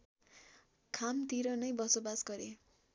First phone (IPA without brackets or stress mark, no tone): kʰ